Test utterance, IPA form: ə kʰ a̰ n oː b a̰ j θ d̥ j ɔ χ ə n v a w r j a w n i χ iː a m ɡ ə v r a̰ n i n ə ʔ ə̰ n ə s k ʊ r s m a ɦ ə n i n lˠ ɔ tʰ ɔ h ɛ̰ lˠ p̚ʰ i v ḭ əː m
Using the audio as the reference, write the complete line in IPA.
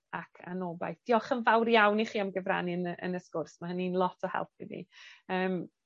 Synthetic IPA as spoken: a kʰ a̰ n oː b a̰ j θ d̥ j ɔ χ ə n v a w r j a w n i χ iː a m ɡ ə v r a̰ n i n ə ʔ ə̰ n ə s k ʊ r s m a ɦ ə n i n lˠ ɔ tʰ ɔ h ɛ̰ lˠ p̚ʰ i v ḭ əː m

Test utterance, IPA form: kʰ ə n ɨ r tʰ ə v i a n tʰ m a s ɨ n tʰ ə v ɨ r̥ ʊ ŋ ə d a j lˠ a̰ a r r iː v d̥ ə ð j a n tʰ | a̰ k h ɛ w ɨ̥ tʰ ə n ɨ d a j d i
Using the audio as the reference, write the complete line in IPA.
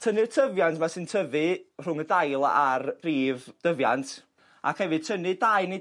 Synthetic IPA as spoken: tʰ ə n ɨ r tʰ ə v j a n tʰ m a s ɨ n tʰ ə v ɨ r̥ ʊ ŋ ə d a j lˠ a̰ a r r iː v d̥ ə v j a n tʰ | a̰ k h ɛ v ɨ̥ tʰ ə n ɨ d a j n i

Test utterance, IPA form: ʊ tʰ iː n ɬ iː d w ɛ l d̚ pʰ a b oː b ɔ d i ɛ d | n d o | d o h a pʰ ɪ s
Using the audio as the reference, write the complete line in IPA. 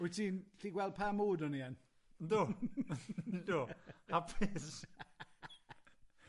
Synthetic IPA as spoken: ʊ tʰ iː n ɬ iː ɡ w ɛ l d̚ pʰ a m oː d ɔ n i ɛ n | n d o | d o h a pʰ ɪ s

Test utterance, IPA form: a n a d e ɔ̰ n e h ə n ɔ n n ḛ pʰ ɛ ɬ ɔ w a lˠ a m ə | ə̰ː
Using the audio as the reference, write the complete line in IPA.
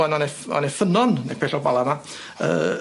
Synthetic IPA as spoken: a n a n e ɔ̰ n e f ə n ɔ n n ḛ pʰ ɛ ɬ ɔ b a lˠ a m a | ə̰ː

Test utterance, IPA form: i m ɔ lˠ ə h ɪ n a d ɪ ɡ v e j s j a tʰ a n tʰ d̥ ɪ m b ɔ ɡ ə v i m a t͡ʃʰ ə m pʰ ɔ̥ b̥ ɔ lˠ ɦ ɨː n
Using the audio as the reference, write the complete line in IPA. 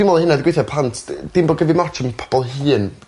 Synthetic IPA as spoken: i m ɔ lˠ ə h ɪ n a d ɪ ɡ w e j θ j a pʰ a n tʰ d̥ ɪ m b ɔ ɡ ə v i m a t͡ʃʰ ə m pʰ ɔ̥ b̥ ɔ lˠ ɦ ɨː n

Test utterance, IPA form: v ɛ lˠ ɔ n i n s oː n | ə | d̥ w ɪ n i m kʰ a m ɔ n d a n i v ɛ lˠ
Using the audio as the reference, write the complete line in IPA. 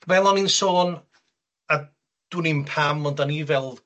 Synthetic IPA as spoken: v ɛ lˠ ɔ n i n s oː n | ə | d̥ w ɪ n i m pʰ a m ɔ n d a n i v ɛ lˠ

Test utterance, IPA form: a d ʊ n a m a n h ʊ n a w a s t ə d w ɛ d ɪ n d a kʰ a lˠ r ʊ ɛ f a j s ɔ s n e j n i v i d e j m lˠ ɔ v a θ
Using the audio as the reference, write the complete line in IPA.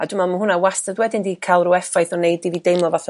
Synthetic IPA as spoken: a d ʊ m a m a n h ʊ n a w a s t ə d w ɛ d ɪ n d i kʰ a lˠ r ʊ ɛ f a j θ ɔ n e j d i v i d e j m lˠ ɔ v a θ

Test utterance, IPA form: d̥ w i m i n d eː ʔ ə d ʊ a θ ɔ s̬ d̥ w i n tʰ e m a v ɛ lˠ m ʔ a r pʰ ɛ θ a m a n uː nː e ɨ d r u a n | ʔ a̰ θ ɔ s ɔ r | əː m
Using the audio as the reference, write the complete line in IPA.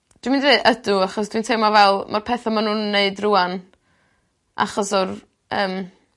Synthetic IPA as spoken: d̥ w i m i n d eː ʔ ə d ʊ a χ ɔ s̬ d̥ w i n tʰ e m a v ɛ lˠ m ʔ a r pʰ ɛ θ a m a n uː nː e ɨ d r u a n | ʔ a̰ χ ɔ s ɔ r | əː m

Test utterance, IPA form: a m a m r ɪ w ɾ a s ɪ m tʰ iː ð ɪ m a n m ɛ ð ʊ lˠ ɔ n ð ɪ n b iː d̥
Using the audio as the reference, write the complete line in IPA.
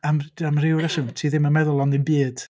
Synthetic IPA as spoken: a m a m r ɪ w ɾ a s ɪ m tʰ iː ð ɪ m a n m ɛ ð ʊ lˠ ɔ n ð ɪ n b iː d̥

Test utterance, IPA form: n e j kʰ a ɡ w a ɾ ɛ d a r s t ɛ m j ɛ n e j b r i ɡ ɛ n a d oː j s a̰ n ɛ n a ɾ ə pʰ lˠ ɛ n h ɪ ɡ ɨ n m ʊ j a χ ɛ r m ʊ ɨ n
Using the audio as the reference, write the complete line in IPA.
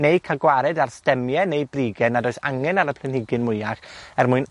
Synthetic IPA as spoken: n e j kʰ a ɡ w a ɾ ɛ d a r s t ɛ m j ɛ n e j b r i ɡ ɛ n a d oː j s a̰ ŋ ɛ n a ɾ ə pʰ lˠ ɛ n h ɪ ɡ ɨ n m ʊ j a χ ɛ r m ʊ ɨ n

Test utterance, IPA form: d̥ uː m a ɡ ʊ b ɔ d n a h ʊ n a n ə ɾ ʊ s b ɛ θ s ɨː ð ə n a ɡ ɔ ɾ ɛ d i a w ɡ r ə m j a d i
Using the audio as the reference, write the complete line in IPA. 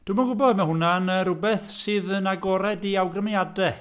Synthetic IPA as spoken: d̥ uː m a ɡ ʊ b ɔ d m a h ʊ n a n ə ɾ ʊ b ɛ θ s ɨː ð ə n a ɡ ɔ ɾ ɛ d i a w ɡ r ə m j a d ɛ

